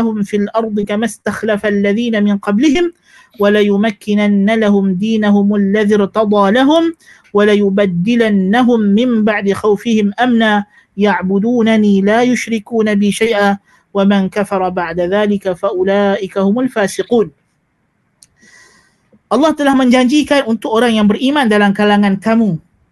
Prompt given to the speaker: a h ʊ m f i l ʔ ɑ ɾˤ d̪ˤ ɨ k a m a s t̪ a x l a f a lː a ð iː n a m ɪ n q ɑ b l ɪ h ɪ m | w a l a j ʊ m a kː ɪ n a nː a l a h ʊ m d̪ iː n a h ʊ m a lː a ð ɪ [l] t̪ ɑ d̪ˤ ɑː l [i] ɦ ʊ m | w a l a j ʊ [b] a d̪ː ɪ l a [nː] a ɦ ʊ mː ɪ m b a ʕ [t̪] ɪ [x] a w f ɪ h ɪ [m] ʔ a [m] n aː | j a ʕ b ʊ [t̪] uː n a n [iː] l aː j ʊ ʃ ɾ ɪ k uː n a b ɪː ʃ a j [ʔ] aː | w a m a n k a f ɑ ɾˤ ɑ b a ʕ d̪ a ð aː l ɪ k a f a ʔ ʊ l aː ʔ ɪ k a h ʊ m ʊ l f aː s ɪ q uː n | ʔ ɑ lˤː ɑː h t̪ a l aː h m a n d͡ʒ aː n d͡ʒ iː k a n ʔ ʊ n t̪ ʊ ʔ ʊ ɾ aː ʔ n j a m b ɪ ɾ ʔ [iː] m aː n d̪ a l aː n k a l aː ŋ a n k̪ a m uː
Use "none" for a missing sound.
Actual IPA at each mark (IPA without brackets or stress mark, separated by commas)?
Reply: ɾ, a, b, nː, d̪, x, m, m, d̪, iː, ʔ, iː